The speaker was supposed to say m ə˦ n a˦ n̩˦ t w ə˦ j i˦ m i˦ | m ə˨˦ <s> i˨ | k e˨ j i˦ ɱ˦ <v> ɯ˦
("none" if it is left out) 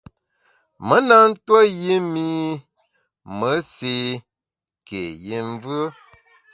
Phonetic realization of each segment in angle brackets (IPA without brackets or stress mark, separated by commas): s, v